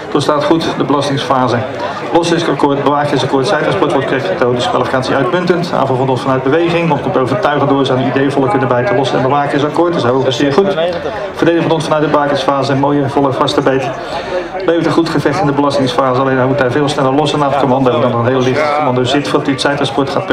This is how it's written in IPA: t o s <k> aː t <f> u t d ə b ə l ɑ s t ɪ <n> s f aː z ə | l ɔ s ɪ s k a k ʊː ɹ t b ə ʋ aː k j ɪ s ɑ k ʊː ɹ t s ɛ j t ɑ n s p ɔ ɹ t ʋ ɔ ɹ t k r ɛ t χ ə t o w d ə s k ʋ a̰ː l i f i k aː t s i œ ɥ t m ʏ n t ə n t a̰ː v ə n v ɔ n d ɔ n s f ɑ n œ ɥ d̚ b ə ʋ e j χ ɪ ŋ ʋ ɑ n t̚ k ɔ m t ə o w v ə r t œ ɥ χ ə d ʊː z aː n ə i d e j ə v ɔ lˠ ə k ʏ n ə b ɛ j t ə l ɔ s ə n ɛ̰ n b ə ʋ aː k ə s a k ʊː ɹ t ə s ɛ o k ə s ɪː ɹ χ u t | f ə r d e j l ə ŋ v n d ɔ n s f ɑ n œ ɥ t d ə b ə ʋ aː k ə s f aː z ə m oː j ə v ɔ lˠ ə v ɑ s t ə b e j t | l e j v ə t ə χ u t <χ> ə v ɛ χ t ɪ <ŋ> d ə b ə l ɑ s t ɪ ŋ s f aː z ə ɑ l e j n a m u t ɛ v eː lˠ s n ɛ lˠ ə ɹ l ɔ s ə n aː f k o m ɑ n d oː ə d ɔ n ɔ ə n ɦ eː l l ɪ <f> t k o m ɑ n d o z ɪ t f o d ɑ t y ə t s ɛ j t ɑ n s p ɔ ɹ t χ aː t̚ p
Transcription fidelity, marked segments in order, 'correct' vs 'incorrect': incorrect, incorrect, incorrect, correct, incorrect, incorrect

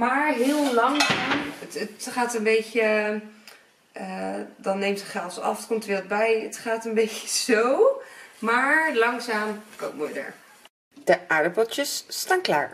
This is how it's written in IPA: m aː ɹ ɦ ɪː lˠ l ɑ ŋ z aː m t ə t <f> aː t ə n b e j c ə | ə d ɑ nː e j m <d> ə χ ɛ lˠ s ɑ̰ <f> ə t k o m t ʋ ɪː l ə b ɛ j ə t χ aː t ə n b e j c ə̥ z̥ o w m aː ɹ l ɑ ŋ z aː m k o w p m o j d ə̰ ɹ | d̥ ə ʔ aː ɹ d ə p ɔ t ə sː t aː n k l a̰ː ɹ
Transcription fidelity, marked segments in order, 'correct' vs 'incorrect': incorrect, incorrect, correct

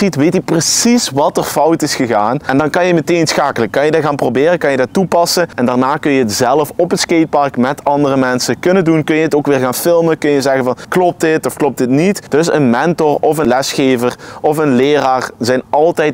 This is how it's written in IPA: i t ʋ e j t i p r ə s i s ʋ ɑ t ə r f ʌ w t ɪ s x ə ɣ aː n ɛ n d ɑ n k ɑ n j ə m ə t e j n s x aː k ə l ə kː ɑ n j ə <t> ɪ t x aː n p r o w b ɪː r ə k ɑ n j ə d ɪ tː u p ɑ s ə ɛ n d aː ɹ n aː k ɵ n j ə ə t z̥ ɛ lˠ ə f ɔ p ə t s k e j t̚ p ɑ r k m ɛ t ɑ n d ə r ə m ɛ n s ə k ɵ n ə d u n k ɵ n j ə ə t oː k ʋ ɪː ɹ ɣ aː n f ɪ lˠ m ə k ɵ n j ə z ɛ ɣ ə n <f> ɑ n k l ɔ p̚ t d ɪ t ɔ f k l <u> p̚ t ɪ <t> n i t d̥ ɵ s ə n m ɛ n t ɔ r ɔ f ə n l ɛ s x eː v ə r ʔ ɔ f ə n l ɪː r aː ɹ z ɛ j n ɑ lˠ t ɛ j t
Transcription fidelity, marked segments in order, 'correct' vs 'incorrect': incorrect, incorrect, incorrect, correct

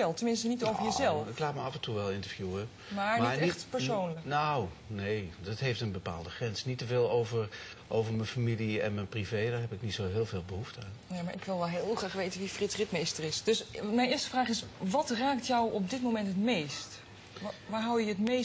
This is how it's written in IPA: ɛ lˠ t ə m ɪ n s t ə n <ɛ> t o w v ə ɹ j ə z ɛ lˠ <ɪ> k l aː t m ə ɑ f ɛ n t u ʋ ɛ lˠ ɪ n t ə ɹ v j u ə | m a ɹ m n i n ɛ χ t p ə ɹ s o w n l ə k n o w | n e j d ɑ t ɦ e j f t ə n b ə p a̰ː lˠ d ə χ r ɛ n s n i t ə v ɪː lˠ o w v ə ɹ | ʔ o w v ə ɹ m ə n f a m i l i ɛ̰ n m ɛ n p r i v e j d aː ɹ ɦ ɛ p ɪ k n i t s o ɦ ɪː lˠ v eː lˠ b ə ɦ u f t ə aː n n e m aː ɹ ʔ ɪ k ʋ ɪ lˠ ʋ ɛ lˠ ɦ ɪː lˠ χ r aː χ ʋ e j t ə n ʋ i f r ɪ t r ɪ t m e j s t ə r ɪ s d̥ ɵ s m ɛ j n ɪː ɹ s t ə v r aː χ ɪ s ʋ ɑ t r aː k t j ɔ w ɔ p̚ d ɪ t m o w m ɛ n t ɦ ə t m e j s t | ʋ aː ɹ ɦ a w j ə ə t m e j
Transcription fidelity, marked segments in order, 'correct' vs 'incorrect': incorrect, correct

